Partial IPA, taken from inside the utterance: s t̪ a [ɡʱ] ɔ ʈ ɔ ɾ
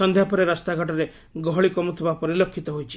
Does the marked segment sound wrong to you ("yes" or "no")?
no